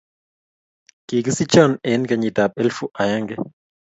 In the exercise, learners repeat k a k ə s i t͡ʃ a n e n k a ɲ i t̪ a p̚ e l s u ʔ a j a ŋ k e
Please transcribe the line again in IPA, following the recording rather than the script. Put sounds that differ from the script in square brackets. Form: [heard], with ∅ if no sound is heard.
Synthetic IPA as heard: k [i] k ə s i t͡ʃ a n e n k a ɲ i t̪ a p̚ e l [f] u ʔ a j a ŋ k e